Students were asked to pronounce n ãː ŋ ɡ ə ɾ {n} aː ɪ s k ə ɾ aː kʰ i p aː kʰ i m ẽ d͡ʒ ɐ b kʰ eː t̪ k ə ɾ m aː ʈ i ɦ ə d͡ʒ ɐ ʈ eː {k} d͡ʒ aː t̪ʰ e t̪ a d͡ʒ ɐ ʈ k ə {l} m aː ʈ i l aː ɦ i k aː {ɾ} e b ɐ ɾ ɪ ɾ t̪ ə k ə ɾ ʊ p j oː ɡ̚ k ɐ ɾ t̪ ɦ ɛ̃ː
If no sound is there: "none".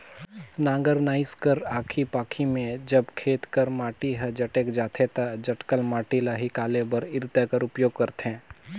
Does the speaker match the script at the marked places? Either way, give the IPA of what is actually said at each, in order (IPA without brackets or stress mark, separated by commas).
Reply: n, k, l, l